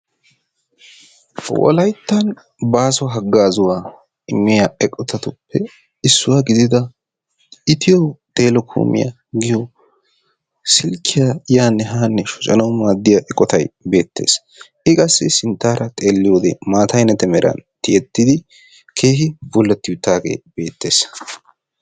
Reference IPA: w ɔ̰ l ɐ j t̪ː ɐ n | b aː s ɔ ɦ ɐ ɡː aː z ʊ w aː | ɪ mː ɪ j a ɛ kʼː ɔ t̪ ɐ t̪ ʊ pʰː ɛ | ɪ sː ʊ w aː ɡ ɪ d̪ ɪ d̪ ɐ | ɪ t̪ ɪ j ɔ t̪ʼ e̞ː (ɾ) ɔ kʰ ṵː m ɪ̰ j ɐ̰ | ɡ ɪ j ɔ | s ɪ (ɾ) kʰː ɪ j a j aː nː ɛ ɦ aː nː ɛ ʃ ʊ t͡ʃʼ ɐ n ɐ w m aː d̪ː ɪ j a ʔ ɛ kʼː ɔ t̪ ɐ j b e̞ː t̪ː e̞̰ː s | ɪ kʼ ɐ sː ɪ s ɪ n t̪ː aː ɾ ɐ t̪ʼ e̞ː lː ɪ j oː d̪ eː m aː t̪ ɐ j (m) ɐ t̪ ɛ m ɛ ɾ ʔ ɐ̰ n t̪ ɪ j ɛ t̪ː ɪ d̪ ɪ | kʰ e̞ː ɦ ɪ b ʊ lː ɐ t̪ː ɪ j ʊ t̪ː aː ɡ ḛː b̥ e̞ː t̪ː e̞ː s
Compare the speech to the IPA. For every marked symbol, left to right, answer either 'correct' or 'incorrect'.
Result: incorrect, incorrect, incorrect

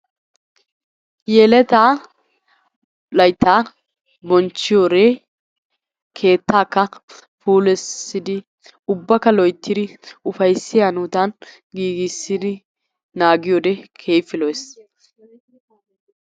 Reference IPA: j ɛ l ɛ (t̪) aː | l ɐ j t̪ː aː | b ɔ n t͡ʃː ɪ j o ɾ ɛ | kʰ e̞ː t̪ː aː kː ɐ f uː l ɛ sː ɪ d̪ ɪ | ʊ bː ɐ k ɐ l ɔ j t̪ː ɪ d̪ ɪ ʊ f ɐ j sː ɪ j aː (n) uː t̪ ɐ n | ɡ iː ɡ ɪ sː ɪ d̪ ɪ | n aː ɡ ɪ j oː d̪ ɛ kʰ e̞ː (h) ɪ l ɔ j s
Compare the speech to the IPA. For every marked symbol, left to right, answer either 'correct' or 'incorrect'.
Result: correct, correct, incorrect

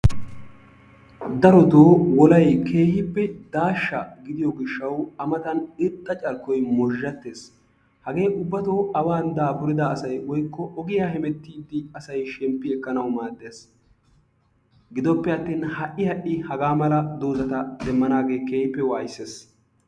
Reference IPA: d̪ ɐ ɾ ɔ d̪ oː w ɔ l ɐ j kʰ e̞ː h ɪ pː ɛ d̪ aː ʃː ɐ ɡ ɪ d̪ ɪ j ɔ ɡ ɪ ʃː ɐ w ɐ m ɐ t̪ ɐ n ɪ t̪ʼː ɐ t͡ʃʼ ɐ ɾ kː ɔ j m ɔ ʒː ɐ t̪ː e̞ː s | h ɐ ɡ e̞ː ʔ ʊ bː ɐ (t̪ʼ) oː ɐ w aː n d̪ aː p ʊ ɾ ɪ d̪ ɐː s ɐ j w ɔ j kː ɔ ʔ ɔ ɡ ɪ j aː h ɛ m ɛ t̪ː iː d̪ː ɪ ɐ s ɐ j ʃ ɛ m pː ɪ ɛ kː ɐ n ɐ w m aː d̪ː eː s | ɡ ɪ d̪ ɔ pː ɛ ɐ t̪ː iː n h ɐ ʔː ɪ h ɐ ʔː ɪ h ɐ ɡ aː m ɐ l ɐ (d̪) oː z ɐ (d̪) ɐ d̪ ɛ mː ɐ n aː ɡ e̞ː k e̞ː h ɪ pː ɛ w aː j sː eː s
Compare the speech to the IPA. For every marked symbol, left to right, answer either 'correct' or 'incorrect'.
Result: incorrect, correct, incorrect

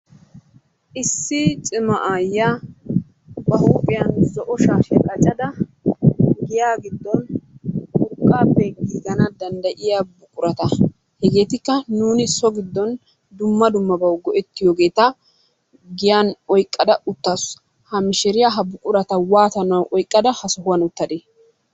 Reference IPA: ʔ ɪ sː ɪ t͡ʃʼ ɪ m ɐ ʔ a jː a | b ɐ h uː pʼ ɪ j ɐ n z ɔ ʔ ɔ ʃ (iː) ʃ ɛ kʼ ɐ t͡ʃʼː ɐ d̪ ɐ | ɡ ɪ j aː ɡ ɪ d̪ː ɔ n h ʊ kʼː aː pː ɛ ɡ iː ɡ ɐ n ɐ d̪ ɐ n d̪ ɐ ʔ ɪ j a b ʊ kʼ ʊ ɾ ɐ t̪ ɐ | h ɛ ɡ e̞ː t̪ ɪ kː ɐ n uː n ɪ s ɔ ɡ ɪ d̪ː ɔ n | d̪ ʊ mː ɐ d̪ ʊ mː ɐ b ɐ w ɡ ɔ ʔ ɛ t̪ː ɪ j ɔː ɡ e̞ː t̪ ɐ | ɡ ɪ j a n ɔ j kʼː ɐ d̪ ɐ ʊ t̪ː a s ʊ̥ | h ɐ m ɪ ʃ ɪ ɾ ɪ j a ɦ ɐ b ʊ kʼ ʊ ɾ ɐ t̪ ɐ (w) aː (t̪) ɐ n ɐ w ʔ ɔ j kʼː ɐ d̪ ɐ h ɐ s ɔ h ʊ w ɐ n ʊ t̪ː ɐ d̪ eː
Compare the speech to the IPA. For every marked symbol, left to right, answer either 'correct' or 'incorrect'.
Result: incorrect, correct, correct

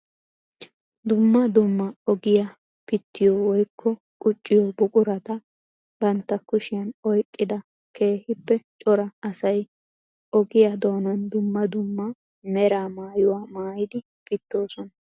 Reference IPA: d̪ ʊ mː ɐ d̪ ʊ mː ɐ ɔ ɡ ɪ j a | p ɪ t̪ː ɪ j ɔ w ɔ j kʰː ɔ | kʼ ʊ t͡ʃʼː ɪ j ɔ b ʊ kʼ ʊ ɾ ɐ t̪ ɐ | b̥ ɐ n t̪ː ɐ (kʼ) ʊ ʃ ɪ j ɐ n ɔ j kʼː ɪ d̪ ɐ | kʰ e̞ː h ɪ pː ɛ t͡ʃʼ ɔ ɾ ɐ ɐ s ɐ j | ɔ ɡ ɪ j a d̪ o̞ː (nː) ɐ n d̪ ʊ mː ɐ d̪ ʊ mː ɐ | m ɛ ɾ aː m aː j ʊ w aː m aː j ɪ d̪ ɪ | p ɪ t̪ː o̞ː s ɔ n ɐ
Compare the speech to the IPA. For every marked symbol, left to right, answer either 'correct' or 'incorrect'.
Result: incorrect, incorrect

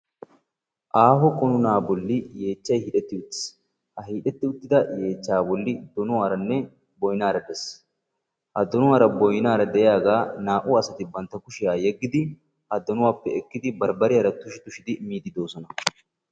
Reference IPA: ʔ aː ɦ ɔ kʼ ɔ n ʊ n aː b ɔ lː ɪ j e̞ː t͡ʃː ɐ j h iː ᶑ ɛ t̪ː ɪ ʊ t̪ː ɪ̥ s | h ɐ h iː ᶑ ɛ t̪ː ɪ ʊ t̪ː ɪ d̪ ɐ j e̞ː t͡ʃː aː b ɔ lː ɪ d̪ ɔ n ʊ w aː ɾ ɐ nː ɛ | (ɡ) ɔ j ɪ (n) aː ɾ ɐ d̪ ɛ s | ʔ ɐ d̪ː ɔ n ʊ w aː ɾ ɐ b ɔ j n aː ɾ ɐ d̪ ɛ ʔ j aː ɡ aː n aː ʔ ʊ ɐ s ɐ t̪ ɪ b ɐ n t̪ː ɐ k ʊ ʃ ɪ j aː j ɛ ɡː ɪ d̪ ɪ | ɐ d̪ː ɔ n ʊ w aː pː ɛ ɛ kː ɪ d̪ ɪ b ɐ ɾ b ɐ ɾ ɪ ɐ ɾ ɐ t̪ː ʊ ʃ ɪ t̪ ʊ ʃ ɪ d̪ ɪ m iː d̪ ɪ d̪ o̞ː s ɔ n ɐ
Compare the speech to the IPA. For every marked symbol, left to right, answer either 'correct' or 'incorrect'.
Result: incorrect, correct

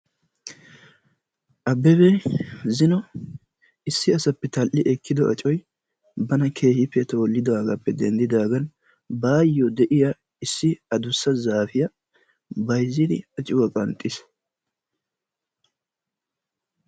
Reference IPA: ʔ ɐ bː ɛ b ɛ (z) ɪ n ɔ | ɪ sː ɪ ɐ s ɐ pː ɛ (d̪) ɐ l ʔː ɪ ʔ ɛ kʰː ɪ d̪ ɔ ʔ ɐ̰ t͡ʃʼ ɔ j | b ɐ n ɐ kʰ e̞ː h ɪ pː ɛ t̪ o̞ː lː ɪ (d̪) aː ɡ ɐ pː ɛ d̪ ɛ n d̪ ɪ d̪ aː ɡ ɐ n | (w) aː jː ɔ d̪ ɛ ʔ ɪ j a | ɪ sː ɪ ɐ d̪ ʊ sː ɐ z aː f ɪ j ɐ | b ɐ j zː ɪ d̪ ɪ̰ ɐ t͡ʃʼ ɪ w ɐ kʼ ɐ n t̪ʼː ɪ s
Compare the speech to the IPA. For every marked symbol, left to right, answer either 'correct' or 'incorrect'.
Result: correct, incorrect, correct, incorrect

